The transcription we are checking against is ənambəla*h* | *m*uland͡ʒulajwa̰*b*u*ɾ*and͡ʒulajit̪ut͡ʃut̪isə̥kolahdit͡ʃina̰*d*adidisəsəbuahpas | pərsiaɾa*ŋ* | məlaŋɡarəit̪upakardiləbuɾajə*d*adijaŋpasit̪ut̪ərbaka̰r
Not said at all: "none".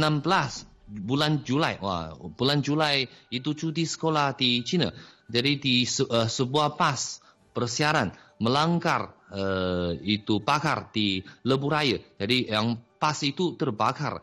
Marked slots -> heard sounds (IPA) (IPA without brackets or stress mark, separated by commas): s, b, b, l, d͡ʒ, n, d͡ʒ